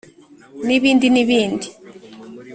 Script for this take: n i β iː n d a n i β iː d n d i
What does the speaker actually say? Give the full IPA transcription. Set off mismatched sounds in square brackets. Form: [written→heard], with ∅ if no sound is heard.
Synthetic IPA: n i β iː n d [a→i] n i β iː [d→∅] n d i